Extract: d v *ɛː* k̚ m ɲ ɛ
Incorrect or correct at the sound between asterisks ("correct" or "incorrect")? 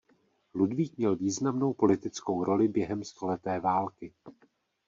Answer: incorrect